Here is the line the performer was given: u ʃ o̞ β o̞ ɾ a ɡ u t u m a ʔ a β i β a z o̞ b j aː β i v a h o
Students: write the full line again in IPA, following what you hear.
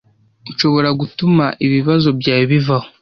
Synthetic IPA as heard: u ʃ o̞ β o̞ ɾ a ɡ u t u m a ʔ i β i β a z o̞ b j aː β i v a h o